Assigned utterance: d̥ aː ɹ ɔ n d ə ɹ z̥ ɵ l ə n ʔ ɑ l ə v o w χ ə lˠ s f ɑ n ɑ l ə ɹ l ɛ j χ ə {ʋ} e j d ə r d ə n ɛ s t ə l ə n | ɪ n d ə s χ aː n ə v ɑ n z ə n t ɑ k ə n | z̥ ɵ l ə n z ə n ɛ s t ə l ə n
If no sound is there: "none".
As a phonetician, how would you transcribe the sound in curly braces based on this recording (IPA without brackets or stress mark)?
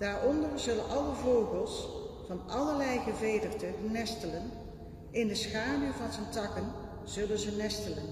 v